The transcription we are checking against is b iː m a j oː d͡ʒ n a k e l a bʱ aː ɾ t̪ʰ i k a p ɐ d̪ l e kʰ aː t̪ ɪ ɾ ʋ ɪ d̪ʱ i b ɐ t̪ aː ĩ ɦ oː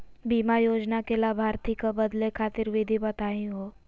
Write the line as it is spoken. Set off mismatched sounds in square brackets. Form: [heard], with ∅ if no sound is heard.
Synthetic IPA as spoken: b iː m a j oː d͡ʒ n a k e l a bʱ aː ɾ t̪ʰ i k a [b] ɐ d̪ l e kʰ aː t̪ ɪ ɾ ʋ ɪ d̪ʱ i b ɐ t̪ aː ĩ ɦ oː